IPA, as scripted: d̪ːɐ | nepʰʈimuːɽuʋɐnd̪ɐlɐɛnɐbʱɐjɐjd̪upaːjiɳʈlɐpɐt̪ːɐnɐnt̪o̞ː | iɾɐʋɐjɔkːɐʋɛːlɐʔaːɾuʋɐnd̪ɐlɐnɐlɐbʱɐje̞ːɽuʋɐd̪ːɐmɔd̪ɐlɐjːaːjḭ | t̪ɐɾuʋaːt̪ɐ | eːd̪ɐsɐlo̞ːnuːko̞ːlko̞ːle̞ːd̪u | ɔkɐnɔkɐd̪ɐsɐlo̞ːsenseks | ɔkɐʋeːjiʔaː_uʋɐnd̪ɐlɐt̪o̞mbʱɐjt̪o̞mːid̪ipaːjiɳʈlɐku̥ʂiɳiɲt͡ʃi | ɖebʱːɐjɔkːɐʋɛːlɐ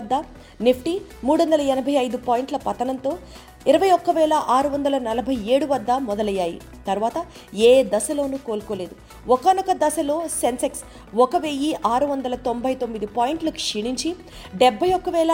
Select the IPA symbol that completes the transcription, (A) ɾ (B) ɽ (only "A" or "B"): A